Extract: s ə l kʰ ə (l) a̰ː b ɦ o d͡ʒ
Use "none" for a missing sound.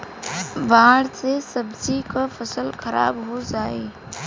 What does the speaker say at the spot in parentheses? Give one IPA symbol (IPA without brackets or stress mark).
ɾ